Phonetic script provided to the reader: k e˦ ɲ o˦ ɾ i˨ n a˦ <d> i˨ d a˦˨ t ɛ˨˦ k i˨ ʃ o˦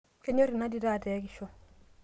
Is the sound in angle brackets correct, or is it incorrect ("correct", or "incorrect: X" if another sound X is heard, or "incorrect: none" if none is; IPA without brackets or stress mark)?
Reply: correct